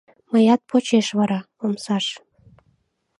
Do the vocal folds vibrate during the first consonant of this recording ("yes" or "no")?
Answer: yes